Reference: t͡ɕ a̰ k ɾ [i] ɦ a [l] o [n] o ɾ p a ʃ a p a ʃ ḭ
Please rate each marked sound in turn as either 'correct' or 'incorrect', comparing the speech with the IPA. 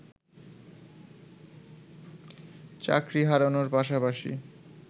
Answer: correct, incorrect: ɾ, correct

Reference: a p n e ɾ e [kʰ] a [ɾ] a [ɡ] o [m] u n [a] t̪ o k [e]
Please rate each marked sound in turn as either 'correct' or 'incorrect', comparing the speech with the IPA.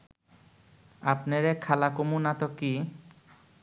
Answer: correct, incorrect: l, incorrect: k, correct, correct, incorrect: i

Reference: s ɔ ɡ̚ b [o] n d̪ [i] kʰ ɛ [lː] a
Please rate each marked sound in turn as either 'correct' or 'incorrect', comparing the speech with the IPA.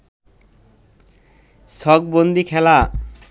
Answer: correct, correct, incorrect: l

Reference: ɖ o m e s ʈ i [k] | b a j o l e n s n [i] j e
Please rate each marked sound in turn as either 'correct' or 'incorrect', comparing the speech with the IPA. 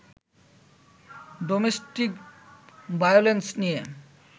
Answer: correct, correct

